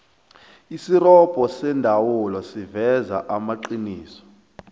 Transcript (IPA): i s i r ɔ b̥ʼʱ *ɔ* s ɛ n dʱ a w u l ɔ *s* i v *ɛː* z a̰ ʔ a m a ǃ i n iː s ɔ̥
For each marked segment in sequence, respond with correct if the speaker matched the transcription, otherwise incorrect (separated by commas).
correct, correct, incorrect